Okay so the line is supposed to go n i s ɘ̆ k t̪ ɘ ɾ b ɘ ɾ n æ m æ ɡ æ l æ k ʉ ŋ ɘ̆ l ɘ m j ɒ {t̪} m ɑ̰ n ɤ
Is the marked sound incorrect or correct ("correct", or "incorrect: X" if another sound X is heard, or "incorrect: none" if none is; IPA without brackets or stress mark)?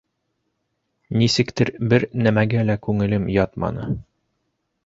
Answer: correct